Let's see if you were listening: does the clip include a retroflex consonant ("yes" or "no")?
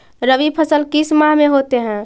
no